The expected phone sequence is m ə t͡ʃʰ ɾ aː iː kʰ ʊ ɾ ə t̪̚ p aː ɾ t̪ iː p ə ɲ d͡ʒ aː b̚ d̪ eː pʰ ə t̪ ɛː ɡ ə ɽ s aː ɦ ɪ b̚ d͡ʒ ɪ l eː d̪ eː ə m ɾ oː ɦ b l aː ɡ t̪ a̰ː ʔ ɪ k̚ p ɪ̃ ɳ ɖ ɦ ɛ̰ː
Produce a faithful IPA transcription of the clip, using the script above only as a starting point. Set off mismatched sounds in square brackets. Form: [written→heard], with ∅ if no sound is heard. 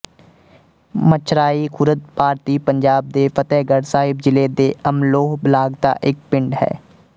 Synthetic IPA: m ə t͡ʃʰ ɾ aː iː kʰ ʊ ɾ ə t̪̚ p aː ɾ t̪ iː p ə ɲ d͡ʒ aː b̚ d̪ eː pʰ ə t̪ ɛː ɡ ə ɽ s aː ɦ ɪ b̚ d͡ʒ ɪ l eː d̪ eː ə m [ɾ→l] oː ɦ b l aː ɡ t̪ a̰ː ʔ ɪ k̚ p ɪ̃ ɳ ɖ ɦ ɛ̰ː